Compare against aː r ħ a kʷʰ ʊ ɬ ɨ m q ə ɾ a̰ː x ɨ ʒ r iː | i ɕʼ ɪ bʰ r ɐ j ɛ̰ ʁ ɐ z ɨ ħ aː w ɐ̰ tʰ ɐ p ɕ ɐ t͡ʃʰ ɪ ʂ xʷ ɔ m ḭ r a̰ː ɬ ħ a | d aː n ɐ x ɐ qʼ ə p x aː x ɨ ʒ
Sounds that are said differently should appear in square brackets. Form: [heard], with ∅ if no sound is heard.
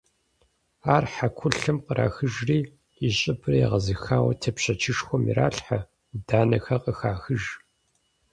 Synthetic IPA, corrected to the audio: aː r ħ a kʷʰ ʊ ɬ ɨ m q ə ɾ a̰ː x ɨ ʒ r iː | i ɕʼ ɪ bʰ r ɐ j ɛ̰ ʁ ɐ z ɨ [x] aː w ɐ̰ tʰ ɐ p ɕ ɐ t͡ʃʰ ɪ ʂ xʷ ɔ m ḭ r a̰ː ɬ ħ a | d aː n ɐ x ɐ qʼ ə [∅] x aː x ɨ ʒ

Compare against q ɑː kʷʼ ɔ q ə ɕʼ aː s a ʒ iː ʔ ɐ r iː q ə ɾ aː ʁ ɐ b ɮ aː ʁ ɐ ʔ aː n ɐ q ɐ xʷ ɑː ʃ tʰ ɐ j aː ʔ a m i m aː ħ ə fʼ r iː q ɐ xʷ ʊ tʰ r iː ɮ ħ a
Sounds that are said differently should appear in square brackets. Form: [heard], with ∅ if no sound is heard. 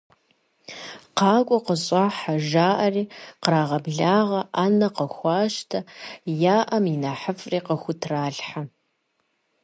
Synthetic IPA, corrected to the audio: q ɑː kʷʼ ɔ q ə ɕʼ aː [ħ] a ʒ [aː] ʔ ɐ r iː q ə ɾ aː ʁ ɐ b ɮ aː ʁ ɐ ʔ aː n ɐ q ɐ xʷ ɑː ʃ tʰ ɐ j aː ʔ [ɐ] m i [n] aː ħ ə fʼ r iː q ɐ xʷ ʊ tʰ r [aː] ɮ ħ a

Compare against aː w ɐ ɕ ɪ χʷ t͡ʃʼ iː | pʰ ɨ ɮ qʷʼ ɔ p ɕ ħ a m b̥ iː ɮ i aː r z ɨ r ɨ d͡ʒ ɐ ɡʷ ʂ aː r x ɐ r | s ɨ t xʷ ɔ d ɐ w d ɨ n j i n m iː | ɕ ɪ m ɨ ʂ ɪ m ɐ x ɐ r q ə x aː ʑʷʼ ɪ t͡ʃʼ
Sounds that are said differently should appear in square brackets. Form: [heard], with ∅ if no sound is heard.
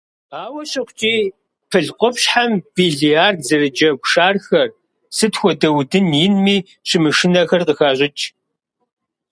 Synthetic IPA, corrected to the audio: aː w ɐ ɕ ɪ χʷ t͡ʃʼ iː | pʰ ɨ ɮ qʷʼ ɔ p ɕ ħ a m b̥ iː ɮ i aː r z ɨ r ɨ d͡ʒ ɐ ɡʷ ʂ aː r x ɐ r | s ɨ t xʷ ɔ d ɐ w d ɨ n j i n m iː | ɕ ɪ m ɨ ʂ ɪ [n] ɐ x ɐ r q ə x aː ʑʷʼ ɪ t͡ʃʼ

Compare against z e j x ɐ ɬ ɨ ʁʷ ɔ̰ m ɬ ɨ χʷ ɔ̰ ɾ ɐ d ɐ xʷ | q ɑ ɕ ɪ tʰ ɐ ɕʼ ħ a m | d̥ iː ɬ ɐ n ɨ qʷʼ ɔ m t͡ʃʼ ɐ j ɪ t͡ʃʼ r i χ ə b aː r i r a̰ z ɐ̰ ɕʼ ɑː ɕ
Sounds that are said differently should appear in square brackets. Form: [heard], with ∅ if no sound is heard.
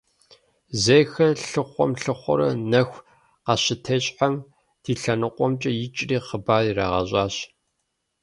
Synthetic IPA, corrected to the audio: z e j x ɐ ɬ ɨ [χʷ] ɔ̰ m ɬ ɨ χʷ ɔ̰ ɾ ɐ [n] ɐ xʷ | q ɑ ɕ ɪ tʰ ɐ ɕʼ ħ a m | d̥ iː ɬ ɐ n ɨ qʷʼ ɔ m t͡ʃʼ ɐ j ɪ t͡ʃʼ r [iː] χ ə b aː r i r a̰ [ʁ] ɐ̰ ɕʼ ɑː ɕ

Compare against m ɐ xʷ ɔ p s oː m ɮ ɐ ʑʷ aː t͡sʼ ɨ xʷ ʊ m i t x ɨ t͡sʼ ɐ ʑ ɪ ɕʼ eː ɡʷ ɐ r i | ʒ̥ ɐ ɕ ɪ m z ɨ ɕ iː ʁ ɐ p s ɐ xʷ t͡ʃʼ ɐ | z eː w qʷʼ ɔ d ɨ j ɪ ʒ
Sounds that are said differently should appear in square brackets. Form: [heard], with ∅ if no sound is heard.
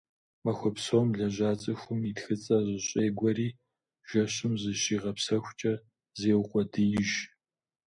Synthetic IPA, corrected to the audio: m ɐ xʷ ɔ p s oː m ɮ ɐ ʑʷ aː t͡sʼ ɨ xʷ ʊ m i t x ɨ t͡sʼ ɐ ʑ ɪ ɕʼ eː ɡʷ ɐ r [iː] | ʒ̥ ɐ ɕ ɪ m z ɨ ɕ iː ʁ ɐ p s ɐ xʷ t͡ʃʼ ɐ | z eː w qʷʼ ɔ d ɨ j ɪ ʒ

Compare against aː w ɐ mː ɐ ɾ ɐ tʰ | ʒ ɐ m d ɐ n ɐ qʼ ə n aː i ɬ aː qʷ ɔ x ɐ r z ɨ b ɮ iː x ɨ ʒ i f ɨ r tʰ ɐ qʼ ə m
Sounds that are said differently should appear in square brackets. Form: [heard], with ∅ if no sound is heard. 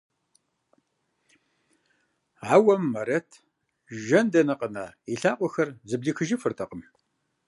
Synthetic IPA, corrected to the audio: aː w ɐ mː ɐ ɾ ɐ tʰ | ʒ ɐ [n] d ɐ n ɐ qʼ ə n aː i ɬ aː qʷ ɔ x ɐ r z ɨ b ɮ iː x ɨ ʒ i f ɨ r tʰ ɐ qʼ ə m

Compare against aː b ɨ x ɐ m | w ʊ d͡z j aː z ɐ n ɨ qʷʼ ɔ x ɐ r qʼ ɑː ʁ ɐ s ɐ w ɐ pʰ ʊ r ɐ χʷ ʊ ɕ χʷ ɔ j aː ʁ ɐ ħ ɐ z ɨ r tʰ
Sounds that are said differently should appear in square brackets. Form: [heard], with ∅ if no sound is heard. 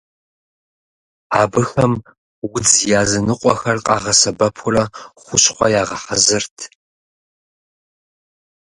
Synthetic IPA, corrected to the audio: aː b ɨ x ɐ m | w ʊ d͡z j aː z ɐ n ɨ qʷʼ ɔ x ɐ r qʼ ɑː ʁ ɐ s ɐ [b] ɐ pʰ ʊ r ɐ χʷ ʊ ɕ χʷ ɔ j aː ʁ ɐ ħ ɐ z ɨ r tʰ

